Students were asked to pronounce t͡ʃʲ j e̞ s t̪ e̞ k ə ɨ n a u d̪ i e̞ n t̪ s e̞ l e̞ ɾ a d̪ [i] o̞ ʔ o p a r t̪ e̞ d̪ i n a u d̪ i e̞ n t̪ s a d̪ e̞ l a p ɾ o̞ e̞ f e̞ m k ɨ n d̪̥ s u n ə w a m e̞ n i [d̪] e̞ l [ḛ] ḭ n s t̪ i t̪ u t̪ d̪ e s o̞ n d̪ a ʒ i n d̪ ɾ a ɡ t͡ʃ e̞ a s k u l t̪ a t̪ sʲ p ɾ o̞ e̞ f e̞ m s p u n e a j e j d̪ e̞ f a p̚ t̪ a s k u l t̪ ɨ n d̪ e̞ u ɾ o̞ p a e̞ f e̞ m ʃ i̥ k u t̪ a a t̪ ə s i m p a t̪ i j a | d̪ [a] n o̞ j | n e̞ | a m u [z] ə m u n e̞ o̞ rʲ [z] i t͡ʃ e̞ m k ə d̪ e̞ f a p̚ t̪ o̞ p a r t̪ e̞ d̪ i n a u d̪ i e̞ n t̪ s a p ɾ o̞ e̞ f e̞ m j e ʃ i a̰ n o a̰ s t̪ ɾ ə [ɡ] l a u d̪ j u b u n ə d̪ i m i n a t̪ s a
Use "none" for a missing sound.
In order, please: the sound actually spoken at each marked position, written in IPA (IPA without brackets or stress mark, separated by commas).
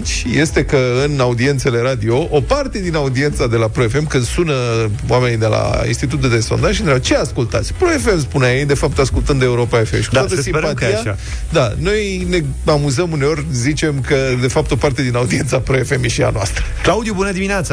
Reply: i, d̪, a̰, a, z, z, k